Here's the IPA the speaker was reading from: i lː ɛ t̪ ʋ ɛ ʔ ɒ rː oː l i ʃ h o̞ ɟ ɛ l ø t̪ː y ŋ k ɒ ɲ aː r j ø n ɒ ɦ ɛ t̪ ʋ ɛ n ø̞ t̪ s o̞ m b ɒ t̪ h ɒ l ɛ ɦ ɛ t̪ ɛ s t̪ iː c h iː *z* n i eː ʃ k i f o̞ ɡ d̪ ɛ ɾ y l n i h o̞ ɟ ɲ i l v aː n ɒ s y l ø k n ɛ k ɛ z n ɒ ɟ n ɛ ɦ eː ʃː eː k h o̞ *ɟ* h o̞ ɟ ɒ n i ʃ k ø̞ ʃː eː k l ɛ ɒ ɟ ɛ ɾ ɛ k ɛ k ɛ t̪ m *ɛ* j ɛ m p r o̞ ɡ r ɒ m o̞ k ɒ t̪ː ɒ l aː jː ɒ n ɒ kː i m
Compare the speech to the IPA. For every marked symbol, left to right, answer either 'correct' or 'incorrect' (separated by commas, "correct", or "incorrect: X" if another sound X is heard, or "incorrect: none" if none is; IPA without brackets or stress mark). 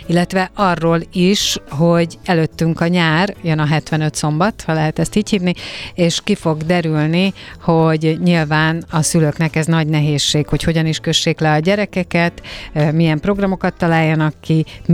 incorrect: v, incorrect: c, incorrect: i